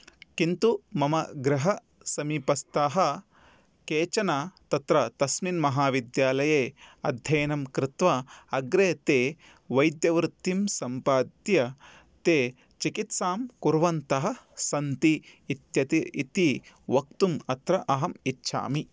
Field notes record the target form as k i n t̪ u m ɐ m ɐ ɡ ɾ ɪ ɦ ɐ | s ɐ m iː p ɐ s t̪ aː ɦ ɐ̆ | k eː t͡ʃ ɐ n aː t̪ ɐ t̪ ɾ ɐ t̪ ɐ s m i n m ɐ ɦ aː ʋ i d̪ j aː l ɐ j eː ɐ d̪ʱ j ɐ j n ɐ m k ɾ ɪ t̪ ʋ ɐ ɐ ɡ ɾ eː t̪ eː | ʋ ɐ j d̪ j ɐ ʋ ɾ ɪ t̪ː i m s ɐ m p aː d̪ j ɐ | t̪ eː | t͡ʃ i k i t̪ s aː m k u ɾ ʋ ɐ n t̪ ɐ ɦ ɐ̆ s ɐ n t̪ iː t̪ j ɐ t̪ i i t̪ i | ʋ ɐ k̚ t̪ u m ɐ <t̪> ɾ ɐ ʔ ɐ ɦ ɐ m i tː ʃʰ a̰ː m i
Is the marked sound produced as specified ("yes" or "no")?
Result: yes